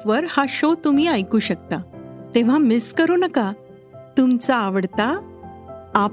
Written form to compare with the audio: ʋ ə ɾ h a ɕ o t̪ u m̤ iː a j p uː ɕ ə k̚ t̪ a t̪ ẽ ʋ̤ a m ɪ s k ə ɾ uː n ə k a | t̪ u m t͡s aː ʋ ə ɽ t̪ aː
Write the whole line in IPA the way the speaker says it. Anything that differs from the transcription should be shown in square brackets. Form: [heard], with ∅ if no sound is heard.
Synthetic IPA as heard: ʋ ə ɾ h a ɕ o t̪ u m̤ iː a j [k] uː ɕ ə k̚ t̪ a t̪ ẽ ʋ̤ a m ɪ s k ə ɾ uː n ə k a | t̪ u m t͡s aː ʋ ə ɽ t̪ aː